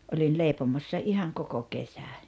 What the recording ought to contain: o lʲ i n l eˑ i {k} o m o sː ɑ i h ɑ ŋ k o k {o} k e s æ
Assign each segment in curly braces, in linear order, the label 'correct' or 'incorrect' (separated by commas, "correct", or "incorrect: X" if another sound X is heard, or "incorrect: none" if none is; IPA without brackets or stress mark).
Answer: incorrect: p, correct